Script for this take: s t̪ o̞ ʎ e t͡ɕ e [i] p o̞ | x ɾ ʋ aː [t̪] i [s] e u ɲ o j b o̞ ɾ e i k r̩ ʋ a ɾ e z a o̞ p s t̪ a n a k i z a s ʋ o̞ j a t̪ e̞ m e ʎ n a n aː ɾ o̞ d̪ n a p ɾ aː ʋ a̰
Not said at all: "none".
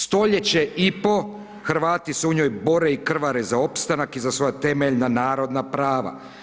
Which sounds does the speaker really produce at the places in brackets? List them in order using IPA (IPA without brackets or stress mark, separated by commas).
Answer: i, t̪, s